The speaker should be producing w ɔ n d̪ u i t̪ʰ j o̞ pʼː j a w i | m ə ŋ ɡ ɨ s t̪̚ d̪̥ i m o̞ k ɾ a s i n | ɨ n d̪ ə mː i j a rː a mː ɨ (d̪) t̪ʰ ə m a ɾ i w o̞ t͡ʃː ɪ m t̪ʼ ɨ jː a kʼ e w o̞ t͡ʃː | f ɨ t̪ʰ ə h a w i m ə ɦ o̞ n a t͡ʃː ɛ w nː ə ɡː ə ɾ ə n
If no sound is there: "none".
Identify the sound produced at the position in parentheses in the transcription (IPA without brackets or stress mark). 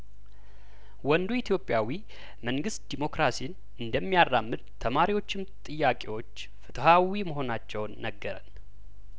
d̪